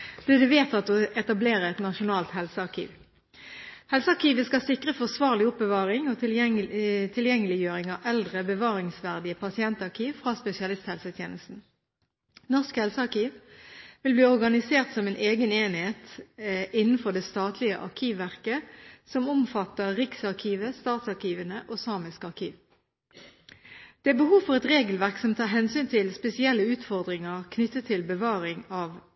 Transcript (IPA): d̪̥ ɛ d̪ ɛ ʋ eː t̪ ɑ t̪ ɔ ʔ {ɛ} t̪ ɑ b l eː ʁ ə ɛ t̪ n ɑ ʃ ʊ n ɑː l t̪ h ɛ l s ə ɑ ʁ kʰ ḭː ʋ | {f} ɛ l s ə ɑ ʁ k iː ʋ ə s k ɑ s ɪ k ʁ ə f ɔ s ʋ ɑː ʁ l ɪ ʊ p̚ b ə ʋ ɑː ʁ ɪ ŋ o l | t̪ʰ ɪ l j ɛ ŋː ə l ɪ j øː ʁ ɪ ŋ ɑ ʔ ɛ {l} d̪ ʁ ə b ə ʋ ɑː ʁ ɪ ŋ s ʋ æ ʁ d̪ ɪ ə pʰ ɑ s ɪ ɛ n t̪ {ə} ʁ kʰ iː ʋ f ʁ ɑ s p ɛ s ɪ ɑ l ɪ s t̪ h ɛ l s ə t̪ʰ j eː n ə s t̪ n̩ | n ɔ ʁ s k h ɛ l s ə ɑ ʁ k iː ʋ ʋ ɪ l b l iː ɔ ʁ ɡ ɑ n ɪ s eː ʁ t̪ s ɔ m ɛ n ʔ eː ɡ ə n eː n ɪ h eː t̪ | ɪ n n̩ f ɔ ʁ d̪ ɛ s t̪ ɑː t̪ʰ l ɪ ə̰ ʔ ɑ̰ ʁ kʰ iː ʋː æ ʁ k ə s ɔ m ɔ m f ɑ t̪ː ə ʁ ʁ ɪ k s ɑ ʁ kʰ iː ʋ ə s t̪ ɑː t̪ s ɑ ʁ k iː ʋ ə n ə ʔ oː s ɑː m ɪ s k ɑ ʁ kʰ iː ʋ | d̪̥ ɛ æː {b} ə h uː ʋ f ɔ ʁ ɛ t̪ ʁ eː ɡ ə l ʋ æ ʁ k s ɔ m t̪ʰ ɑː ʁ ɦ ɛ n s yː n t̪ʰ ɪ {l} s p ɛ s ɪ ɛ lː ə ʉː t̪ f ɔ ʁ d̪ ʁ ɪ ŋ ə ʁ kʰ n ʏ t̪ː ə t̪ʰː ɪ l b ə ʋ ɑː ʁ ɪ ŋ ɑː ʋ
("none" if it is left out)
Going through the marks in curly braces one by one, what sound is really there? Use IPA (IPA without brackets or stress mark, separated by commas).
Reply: ɛ, h, l, ɑ, b, l